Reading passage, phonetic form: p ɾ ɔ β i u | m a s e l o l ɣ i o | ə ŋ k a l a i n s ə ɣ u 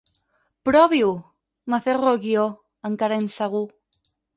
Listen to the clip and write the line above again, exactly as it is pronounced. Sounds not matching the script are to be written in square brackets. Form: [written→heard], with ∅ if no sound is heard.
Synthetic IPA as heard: p ɾ ɔ β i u | m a [s→f] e [l→r] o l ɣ i o | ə ŋ k a [l→ɾ] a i n s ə ɣ u